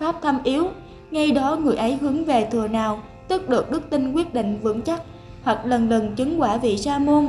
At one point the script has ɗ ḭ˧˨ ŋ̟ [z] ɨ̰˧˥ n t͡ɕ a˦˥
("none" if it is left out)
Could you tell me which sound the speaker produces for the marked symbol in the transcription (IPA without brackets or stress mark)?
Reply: v